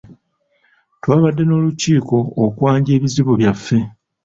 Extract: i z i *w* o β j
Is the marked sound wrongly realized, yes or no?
yes